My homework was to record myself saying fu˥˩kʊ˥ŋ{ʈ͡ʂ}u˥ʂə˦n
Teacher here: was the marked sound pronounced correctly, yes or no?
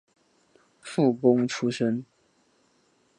no